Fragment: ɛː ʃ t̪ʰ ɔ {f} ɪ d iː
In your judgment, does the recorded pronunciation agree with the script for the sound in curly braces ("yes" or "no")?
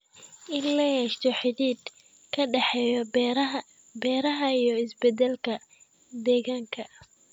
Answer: no